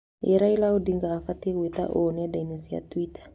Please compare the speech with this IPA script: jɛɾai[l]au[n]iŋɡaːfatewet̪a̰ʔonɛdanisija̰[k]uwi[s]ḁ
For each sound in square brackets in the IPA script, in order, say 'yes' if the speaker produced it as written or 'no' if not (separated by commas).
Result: yes, no, no, no